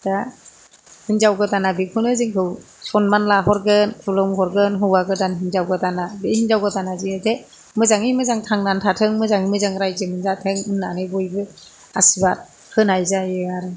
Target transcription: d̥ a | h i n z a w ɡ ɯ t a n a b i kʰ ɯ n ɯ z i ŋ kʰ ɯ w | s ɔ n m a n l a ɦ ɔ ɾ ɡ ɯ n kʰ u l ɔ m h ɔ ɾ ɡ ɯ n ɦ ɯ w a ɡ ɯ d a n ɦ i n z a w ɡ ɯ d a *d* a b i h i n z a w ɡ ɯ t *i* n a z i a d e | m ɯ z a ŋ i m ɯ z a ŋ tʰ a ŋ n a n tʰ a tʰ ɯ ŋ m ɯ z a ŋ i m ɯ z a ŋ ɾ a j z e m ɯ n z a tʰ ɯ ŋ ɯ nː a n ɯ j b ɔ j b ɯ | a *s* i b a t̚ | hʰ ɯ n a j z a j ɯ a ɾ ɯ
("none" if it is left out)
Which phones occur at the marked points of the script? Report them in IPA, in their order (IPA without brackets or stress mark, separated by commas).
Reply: n, a, s